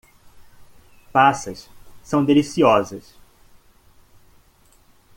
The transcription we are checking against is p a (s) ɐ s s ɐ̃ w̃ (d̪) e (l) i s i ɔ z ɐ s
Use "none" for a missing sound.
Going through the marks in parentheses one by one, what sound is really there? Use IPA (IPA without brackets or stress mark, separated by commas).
s, d̪, l